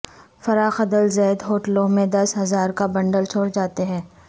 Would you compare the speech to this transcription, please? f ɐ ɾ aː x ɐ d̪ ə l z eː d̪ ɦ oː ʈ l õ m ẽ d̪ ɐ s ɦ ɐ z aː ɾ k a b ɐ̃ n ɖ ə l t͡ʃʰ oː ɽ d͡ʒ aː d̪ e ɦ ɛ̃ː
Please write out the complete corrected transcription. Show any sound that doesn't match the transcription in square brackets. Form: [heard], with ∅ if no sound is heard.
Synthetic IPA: f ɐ ɾ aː x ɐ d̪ ə l z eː d̪ ɦ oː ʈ l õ m ẽ d̪ ɐ s ɦ ɐ z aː ɾ k a b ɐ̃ [ɳ] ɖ ə l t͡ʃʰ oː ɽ d͡ʒ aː [t̪] e ɦ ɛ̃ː